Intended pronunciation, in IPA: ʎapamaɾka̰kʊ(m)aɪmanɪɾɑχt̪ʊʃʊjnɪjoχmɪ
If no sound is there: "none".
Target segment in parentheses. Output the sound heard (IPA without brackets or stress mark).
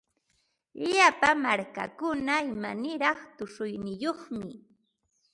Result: n